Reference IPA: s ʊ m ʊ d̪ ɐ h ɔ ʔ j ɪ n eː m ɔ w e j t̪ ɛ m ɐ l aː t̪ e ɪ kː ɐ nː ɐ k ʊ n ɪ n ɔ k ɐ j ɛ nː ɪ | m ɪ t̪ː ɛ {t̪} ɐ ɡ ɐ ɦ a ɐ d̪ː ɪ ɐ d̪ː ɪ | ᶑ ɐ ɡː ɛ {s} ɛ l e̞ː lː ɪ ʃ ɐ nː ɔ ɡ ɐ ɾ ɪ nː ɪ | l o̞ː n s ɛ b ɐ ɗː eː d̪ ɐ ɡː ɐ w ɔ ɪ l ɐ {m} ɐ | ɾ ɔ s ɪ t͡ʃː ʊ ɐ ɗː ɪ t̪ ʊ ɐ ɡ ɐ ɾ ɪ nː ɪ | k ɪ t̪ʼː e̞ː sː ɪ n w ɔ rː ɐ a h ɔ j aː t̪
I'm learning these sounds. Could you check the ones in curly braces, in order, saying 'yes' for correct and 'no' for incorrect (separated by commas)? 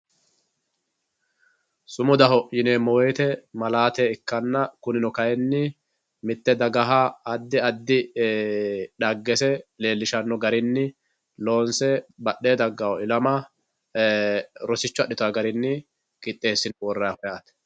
no, yes, yes